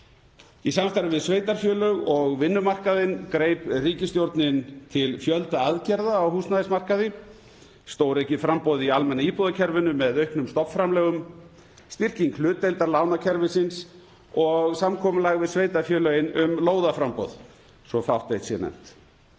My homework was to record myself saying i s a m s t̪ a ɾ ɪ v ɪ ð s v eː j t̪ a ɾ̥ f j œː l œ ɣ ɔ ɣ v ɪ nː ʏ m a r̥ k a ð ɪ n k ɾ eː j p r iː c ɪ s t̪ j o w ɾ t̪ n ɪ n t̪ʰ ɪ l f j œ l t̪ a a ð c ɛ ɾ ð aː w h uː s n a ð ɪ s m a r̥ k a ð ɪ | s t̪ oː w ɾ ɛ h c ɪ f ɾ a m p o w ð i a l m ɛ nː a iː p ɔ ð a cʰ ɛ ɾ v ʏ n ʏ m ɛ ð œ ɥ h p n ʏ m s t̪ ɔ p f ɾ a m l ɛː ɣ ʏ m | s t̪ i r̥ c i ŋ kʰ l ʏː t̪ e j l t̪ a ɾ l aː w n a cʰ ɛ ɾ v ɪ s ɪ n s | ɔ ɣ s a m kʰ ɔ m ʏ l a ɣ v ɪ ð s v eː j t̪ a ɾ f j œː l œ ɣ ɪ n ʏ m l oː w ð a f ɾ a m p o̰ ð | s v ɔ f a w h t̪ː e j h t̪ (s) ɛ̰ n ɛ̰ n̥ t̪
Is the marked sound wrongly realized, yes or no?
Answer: no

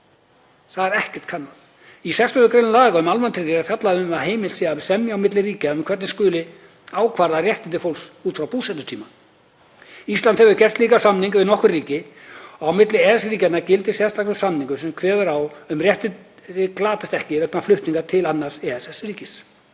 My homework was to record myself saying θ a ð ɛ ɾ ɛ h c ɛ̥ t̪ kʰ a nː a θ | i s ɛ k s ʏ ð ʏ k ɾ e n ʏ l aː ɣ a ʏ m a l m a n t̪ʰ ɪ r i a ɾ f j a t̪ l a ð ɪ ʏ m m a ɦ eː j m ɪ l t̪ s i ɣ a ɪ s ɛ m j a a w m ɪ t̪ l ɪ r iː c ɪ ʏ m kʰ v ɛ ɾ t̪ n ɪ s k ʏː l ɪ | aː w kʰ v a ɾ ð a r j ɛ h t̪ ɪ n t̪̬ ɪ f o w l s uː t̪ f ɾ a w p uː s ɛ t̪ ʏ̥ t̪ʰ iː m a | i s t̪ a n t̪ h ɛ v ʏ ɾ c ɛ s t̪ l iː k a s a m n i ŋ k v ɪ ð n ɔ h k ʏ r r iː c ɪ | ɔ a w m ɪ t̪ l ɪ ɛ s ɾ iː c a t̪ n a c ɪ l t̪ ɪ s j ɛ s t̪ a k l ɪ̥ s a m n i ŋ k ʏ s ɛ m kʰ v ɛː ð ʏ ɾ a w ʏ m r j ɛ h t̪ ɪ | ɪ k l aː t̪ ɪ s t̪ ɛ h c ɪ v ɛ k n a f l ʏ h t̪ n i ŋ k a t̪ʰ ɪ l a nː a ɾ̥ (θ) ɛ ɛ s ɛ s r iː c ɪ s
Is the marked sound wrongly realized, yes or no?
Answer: yes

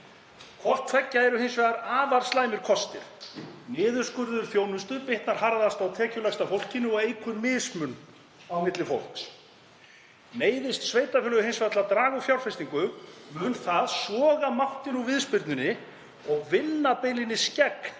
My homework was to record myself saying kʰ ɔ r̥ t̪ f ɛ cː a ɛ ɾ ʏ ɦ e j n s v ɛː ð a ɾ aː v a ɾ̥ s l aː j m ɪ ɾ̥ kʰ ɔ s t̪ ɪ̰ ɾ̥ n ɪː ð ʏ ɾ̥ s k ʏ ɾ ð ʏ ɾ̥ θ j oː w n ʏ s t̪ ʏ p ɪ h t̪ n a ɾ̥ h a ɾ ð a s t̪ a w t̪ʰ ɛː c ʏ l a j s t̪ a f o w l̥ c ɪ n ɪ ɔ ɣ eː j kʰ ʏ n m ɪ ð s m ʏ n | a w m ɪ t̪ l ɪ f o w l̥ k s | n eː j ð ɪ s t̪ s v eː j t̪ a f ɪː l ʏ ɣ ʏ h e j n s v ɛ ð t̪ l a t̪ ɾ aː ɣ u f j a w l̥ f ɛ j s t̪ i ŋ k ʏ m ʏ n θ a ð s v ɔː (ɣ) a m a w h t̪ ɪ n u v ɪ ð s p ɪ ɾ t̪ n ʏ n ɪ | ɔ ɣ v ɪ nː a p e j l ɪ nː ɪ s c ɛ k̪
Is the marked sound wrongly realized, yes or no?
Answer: no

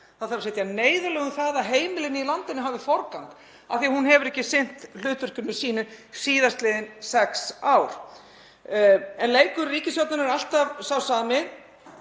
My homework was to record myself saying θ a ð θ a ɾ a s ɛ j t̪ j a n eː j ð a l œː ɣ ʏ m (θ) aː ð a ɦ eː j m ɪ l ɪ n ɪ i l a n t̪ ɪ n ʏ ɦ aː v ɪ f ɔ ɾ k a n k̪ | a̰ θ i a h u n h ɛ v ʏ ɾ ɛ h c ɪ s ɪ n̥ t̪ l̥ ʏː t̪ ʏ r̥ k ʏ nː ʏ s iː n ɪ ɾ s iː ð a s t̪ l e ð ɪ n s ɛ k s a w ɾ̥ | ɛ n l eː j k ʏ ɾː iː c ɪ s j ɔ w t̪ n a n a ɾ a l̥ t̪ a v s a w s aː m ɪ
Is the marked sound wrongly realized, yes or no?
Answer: no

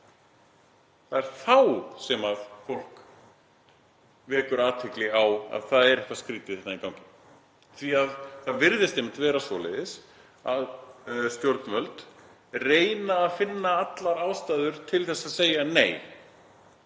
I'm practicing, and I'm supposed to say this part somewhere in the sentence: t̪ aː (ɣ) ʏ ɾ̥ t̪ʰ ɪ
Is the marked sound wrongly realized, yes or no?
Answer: yes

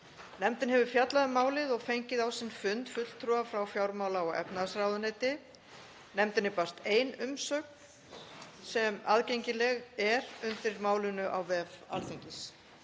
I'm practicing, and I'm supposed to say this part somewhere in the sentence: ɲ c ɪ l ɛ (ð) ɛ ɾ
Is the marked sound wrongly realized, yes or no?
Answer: yes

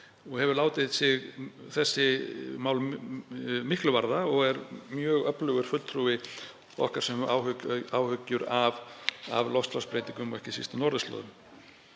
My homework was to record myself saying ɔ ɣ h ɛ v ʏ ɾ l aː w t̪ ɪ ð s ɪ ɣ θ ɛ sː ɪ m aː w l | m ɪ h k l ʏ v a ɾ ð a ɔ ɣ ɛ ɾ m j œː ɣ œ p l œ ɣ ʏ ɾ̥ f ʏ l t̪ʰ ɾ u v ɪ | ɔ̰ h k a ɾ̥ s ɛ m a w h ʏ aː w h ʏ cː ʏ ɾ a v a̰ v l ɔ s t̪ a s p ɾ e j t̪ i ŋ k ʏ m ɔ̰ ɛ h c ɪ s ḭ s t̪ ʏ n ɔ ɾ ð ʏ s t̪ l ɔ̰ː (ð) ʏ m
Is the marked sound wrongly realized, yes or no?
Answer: no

